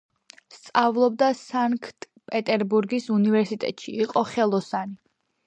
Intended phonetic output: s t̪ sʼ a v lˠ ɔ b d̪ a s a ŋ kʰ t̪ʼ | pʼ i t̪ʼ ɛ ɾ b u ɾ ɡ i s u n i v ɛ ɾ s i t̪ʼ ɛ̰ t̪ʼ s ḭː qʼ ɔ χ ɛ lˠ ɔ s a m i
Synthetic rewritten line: s t̪ sʼ a v lˠ ɔ b d̪ a s a ŋ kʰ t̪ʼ | pʼ ɛ t̪ʼ ɛ ɾ b u ɾ ɡ i s u n i v ɛ ɾ s i t̪ʼ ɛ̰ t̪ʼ ʃ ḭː qʼ ɔ χ ɛ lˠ ɔ s a n i